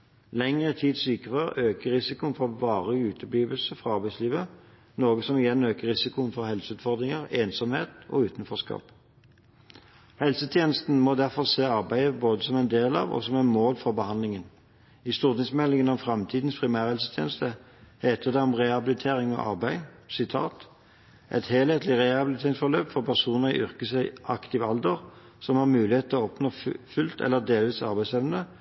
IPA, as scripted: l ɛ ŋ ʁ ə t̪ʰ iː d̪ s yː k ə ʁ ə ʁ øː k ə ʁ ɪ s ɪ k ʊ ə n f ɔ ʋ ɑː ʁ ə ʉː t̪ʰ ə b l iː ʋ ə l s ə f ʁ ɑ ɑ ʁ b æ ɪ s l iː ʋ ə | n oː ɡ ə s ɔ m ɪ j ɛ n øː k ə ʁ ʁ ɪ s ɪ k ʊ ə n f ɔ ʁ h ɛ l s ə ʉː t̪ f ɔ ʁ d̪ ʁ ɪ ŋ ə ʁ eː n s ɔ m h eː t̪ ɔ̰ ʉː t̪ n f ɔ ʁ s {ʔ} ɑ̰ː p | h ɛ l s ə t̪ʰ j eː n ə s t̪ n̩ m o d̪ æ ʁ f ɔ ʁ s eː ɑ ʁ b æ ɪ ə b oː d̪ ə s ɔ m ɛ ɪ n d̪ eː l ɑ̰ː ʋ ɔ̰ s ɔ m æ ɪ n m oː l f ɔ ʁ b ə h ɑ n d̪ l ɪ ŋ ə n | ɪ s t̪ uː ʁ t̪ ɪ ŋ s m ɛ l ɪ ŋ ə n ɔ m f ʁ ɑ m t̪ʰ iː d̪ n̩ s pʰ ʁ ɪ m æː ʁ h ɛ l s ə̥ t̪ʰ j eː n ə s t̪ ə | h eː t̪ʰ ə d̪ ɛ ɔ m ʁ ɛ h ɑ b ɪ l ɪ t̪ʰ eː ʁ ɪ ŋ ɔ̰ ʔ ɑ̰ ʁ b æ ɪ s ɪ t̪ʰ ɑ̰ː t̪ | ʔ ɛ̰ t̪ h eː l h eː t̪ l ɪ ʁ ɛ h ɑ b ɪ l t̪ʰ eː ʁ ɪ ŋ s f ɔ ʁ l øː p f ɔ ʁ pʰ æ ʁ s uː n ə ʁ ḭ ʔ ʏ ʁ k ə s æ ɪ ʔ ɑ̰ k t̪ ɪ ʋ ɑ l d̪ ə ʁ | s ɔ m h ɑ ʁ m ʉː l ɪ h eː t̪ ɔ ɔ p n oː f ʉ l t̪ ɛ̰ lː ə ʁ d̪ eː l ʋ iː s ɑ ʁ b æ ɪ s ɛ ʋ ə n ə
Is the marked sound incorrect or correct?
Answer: incorrect: k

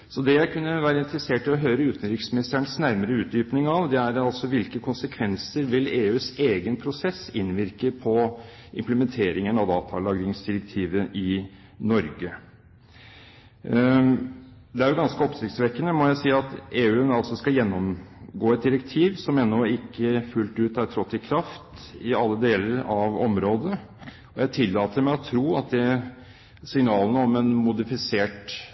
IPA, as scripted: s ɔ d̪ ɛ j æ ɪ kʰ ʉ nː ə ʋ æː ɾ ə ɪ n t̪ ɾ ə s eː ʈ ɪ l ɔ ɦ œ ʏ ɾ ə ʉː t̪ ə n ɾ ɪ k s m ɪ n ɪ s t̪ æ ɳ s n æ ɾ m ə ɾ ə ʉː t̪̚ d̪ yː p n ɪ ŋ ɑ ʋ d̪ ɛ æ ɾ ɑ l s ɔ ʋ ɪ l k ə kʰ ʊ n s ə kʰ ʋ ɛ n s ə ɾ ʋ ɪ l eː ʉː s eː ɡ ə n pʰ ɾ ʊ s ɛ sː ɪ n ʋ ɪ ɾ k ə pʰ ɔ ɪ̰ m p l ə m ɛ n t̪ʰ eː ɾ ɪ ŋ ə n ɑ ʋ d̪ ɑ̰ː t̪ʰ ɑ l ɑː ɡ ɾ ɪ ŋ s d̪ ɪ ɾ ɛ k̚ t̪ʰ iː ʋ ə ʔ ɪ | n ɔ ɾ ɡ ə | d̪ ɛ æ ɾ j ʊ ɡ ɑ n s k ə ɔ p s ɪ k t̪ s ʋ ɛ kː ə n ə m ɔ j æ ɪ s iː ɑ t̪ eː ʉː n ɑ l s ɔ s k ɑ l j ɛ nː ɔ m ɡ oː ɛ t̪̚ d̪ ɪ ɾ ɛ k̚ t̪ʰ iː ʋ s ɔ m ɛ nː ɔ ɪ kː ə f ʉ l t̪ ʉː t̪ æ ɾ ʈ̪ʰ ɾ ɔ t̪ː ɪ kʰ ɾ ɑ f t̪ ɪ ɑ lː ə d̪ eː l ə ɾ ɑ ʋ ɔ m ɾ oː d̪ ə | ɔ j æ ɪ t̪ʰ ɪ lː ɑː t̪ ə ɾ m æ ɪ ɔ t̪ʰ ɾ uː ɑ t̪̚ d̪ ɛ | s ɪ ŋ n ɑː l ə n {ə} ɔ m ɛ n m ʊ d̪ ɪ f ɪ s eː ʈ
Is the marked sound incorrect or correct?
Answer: correct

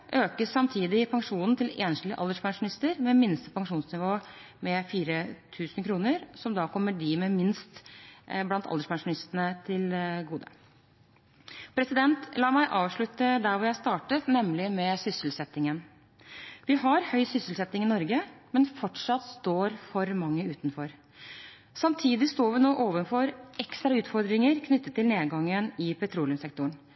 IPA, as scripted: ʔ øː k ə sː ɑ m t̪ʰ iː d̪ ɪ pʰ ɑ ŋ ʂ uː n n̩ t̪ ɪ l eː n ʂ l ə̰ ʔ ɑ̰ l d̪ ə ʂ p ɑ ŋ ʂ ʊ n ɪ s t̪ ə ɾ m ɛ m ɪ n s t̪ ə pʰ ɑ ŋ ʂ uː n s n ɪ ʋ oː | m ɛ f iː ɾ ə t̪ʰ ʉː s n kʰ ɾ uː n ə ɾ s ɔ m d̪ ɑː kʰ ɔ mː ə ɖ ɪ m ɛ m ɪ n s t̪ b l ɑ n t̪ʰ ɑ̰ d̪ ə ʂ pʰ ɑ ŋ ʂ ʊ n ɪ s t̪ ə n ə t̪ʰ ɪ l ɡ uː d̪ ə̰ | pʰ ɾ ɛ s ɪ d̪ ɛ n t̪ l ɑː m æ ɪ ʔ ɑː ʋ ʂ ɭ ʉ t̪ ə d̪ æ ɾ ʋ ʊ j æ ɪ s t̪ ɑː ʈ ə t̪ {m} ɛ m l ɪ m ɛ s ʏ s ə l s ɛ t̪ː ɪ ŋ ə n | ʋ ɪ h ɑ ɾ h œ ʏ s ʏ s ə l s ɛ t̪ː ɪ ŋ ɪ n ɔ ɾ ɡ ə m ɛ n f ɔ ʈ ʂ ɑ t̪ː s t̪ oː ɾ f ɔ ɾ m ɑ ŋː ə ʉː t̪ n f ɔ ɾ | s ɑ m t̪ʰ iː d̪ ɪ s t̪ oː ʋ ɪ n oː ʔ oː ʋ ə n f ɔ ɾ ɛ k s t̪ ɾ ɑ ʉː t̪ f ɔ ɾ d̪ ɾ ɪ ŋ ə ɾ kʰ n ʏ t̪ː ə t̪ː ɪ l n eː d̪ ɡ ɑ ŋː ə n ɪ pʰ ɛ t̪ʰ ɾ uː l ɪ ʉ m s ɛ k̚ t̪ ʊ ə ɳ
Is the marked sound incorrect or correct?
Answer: incorrect: n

